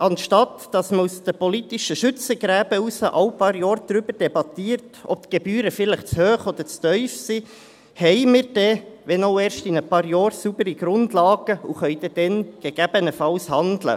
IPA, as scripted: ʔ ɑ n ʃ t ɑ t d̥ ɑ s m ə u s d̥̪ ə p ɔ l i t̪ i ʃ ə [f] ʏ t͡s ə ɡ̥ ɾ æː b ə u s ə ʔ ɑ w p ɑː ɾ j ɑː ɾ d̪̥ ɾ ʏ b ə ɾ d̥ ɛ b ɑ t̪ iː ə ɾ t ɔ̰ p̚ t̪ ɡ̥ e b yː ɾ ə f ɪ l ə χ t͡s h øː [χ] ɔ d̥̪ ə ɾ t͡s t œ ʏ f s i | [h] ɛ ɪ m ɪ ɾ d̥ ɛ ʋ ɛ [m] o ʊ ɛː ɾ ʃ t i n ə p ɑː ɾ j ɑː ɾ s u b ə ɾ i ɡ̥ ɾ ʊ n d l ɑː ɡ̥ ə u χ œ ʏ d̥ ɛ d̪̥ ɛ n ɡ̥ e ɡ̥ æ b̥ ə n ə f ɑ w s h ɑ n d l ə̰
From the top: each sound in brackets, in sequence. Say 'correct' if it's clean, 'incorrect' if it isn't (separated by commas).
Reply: incorrect, correct, correct, incorrect